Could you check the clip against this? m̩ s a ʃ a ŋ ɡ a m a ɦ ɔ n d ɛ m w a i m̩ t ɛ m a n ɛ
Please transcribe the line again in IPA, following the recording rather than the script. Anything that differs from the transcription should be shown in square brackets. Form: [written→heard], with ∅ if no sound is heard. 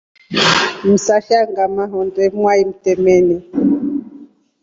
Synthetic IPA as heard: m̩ s a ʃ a ŋ ɡ a m a ɦ ɔ n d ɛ m w a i m̩ t ɛ m [a→ɛ] n ɛ